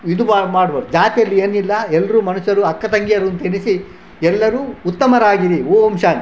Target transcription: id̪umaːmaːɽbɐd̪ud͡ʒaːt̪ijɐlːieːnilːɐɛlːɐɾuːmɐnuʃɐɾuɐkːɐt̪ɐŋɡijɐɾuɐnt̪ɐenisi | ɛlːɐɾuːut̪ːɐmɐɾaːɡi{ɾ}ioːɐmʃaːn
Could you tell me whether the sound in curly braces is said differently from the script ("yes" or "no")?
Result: no